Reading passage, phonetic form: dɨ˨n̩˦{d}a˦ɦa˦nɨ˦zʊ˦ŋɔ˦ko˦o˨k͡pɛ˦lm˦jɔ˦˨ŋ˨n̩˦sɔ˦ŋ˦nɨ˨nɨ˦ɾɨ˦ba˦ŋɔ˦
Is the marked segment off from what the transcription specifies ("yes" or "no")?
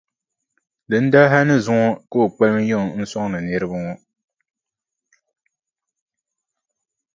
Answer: no